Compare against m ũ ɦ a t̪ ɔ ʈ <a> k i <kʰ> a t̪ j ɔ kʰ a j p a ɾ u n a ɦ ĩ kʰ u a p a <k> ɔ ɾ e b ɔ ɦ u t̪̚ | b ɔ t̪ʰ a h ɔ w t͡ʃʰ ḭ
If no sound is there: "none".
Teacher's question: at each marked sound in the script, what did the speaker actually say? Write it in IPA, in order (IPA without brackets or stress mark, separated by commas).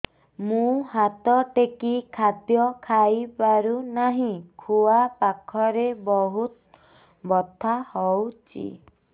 e, kʰ, kʰ